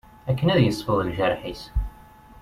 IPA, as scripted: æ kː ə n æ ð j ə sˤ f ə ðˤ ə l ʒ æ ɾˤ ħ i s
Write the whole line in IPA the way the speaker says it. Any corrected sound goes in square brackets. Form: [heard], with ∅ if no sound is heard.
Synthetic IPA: æ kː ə n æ ð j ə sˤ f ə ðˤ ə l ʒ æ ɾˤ ħ i s